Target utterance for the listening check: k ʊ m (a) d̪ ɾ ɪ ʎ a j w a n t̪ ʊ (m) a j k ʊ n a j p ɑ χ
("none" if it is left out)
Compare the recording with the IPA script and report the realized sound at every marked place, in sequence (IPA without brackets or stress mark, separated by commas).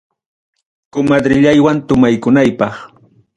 a, m